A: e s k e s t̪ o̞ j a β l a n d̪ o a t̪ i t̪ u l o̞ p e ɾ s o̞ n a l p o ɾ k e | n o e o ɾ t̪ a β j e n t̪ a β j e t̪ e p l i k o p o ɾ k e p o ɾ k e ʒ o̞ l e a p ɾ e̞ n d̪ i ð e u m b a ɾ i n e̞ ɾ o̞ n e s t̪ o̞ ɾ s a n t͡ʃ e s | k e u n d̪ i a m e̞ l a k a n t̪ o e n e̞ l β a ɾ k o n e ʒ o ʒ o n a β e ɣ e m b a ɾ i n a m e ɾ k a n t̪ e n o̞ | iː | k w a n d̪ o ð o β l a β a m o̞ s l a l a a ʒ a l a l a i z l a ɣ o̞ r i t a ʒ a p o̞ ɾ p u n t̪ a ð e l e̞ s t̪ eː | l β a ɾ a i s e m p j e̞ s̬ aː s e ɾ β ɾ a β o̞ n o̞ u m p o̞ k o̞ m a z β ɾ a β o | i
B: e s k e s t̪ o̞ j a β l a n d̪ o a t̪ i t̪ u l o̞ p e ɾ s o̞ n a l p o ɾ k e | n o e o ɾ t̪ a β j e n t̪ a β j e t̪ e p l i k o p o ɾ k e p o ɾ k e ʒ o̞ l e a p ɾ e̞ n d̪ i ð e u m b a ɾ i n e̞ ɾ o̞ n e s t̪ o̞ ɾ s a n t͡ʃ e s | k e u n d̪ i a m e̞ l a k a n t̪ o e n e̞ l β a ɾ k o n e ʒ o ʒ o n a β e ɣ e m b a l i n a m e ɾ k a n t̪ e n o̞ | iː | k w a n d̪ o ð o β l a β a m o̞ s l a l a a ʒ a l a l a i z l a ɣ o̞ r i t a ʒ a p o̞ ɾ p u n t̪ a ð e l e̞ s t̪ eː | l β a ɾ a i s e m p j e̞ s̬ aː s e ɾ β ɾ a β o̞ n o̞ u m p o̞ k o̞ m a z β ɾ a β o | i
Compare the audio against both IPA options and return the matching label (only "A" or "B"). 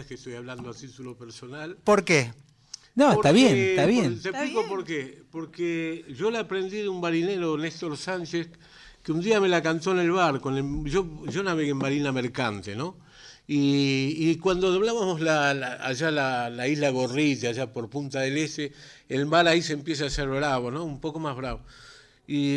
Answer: A